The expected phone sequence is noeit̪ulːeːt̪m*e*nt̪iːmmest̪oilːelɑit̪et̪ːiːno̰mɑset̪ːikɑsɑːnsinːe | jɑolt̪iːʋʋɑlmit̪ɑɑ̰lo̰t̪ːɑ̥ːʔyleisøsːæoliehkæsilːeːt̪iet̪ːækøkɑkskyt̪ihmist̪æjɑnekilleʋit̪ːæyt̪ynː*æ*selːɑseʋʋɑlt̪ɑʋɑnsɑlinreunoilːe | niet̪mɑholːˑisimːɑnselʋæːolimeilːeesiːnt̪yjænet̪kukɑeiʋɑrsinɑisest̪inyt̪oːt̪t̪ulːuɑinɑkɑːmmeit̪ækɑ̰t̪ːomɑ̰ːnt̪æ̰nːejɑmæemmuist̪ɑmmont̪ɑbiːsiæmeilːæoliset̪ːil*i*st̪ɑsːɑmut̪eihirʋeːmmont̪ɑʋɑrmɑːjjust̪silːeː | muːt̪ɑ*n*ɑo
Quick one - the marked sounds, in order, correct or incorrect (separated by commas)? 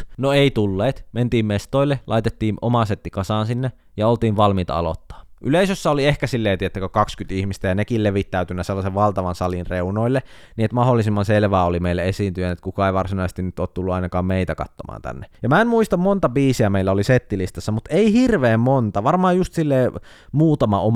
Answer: correct, correct, correct, incorrect